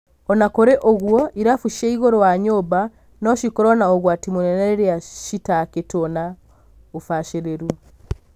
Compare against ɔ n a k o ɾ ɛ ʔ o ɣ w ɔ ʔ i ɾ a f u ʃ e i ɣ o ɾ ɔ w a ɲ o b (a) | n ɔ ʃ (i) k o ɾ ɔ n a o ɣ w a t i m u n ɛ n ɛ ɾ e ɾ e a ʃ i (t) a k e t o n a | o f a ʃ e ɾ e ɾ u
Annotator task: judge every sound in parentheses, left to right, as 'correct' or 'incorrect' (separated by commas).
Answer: correct, correct, correct